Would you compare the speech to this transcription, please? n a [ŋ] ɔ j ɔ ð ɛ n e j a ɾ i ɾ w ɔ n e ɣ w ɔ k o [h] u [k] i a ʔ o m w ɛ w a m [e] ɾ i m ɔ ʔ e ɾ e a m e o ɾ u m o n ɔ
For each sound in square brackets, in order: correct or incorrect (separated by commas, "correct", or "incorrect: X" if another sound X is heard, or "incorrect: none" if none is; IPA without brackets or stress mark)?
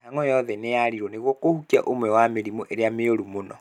correct, correct, correct, correct